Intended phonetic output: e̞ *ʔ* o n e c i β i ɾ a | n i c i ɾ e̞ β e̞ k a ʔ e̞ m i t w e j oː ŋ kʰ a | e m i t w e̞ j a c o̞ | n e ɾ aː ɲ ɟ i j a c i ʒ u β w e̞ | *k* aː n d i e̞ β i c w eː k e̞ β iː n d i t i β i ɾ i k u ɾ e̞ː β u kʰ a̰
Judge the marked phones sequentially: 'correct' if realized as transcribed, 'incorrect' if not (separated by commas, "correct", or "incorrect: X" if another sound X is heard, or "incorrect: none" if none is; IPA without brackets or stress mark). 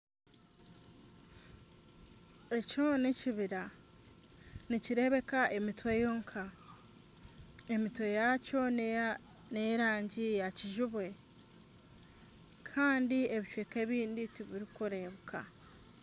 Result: incorrect: c, incorrect: kʰ